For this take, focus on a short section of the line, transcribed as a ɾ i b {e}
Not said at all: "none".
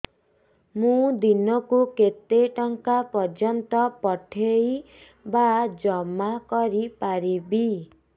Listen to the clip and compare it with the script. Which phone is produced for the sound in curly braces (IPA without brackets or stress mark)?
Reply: i